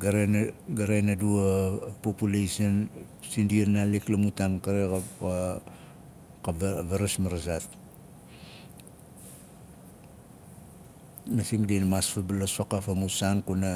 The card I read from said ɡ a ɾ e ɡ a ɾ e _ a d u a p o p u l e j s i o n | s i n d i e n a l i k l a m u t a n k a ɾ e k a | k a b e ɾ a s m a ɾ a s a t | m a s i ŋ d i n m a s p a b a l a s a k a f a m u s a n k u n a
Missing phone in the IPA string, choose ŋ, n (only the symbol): n